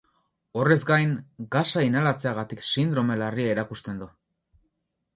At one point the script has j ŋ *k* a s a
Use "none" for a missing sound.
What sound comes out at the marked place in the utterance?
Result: ɡ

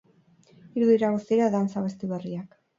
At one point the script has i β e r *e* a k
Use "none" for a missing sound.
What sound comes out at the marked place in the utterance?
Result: i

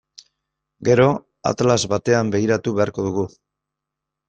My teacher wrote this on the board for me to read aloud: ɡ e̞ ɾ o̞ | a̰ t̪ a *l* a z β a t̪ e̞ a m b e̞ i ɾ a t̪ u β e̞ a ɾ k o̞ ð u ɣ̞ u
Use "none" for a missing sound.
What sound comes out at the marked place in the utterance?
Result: l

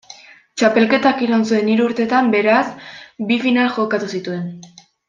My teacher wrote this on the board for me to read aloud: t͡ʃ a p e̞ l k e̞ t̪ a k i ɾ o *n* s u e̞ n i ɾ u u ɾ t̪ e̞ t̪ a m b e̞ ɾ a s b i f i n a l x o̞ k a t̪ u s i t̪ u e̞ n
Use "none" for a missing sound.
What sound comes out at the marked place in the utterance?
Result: n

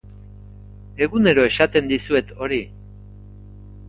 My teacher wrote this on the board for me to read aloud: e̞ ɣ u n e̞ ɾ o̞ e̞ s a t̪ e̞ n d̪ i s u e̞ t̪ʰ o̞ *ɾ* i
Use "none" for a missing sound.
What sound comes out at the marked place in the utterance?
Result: ɾ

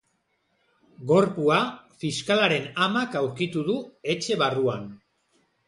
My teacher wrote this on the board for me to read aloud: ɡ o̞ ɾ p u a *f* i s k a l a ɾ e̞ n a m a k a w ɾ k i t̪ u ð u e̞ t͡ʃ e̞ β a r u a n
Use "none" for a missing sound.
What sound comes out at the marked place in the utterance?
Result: f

